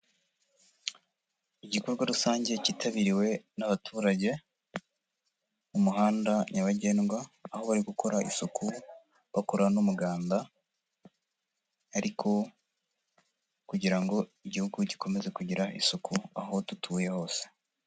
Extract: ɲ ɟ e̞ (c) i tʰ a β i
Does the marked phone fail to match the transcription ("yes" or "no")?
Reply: no